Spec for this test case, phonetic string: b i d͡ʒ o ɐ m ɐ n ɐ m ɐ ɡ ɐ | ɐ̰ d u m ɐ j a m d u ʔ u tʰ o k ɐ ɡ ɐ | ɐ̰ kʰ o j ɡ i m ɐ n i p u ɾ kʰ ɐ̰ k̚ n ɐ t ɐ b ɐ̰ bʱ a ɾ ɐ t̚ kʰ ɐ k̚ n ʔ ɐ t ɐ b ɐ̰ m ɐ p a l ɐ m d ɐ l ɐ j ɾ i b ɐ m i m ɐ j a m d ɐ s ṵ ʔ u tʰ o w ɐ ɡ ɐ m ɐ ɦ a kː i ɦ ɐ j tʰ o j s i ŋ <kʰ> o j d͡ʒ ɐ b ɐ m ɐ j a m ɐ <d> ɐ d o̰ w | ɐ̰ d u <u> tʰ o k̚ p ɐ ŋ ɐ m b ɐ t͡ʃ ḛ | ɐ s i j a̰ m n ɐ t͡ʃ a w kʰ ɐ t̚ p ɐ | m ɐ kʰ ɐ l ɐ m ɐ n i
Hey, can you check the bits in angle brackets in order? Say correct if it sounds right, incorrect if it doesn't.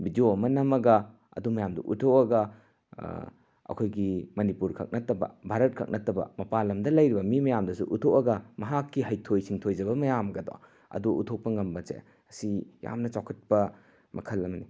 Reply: incorrect: tʰ, incorrect: ɡ, correct

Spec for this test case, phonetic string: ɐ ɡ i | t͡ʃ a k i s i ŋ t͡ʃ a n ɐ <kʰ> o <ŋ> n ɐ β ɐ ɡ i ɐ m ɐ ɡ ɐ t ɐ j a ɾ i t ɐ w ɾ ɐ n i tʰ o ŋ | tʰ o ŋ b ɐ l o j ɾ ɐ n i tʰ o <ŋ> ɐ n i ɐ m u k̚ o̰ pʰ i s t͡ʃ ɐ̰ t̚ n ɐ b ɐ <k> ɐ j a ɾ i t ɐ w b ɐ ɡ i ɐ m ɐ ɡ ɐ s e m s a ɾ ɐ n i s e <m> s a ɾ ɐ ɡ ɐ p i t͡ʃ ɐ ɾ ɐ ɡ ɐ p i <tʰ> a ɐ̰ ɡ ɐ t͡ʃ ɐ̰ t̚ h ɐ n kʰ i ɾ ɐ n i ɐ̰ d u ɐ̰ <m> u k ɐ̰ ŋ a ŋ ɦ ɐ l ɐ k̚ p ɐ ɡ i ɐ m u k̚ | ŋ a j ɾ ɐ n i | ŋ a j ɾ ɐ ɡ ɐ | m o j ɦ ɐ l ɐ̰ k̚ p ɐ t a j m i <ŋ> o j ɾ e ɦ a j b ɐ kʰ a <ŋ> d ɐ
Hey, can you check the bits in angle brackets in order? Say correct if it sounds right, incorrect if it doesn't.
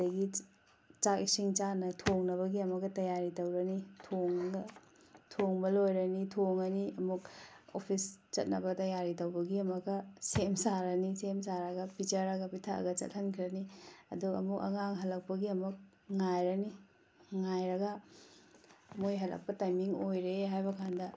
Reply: incorrect: tʰ, correct, correct, incorrect: t, correct, correct, correct, correct, incorrect: n

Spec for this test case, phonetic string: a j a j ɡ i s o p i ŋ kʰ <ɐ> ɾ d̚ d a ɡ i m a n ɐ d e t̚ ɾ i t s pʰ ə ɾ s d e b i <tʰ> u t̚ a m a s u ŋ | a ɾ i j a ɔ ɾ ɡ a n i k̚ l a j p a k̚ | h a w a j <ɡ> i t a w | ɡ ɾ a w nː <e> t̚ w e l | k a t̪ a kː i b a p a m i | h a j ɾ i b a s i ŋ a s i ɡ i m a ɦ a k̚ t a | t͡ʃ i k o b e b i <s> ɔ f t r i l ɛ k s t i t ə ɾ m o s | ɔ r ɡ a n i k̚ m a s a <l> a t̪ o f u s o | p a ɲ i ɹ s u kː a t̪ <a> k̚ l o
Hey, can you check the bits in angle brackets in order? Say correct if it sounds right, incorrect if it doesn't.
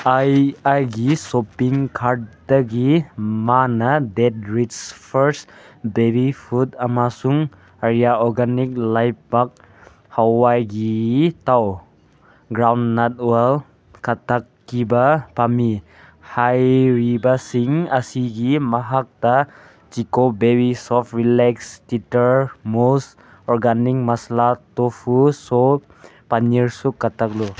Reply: incorrect: a, incorrect: pʰ, correct, incorrect: a, correct, correct, correct

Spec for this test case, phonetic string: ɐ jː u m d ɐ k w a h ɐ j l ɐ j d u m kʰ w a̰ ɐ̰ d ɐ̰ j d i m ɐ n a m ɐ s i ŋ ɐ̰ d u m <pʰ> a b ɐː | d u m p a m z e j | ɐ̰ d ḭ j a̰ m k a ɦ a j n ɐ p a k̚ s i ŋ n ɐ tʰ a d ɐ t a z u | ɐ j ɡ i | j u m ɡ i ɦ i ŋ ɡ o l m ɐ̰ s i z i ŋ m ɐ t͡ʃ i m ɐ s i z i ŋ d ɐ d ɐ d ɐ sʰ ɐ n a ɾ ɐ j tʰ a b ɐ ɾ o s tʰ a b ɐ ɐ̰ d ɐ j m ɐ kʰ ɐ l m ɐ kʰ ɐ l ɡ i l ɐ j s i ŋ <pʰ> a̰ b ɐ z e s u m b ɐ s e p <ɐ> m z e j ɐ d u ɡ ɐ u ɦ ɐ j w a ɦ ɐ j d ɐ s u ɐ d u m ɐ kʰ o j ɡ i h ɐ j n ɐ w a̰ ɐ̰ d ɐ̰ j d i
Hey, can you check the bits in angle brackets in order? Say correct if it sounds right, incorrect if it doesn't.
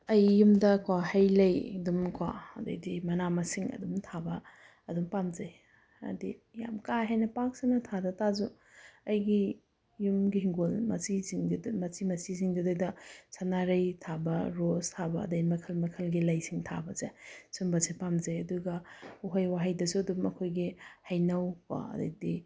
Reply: incorrect: tʰ, incorrect: tʰ, incorrect: a

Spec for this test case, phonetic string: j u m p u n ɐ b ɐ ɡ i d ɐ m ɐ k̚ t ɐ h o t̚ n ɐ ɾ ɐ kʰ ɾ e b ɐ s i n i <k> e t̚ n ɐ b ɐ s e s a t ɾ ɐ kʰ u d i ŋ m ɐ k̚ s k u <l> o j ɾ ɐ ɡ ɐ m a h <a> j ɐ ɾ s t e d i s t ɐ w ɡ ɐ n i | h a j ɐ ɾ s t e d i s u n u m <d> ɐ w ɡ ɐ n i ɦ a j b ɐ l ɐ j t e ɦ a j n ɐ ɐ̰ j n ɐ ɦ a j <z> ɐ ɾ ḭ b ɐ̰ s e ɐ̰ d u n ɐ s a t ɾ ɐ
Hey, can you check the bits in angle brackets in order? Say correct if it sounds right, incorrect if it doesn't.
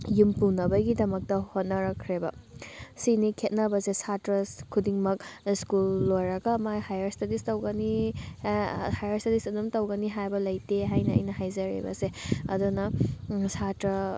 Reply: incorrect: kʰ, incorrect: lː, correct, incorrect: t, correct

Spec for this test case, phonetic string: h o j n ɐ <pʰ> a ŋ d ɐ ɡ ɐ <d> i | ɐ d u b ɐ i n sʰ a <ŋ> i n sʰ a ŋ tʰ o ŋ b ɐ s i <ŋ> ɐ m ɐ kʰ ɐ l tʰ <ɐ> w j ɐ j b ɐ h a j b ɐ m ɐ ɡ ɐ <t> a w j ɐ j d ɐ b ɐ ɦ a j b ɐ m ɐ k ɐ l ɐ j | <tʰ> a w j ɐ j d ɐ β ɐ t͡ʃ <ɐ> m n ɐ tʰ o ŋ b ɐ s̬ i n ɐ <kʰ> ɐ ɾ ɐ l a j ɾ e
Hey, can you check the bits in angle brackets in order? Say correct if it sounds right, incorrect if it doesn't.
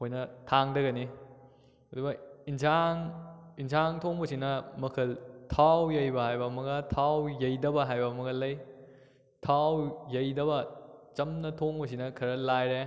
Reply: incorrect: tʰ, incorrect: n, correct, incorrect: n, incorrect: a, incorrect: tʰ, correct, correct, correct

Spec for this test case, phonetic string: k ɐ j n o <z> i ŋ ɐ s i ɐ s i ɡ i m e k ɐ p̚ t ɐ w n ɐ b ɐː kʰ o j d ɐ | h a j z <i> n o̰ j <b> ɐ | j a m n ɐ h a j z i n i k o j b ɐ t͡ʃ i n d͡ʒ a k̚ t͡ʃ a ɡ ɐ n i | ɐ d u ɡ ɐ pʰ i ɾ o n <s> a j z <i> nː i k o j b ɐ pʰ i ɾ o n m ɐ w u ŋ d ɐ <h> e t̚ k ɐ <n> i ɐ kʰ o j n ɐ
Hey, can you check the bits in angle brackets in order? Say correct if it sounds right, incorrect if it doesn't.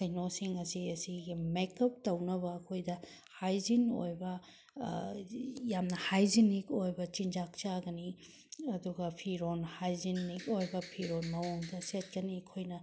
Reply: incorrect: s, correct, correct, incorrect: h, correct, incorrect: s, correct

